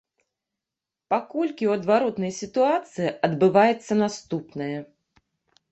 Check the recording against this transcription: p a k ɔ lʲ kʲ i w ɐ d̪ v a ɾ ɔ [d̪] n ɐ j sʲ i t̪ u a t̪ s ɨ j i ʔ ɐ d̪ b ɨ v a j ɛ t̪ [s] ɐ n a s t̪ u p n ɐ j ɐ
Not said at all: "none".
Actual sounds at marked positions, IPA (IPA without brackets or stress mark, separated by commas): t̪, sː